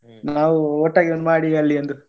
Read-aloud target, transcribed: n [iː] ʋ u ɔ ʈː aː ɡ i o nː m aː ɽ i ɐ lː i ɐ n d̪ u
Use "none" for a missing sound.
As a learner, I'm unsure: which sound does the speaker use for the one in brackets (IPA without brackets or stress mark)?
aː